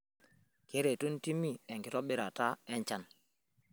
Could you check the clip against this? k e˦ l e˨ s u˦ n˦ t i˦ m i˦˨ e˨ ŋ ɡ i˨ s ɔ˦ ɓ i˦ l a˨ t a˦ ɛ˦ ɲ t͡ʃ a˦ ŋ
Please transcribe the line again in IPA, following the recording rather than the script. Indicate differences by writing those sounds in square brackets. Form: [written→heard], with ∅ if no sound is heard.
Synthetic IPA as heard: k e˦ [l→ɾ] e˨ [s→t] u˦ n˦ t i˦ m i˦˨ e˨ ŋ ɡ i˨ [s→t] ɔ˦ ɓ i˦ [l→ɾ] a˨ t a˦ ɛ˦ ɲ t͡ʃ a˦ [ŋ→n]